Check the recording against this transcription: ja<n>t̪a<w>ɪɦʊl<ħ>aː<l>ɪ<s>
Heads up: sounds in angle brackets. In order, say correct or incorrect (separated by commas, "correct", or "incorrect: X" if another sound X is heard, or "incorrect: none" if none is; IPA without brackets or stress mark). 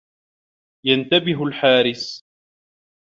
correct, incorrect: b, correct, incorrect: ɾ, correct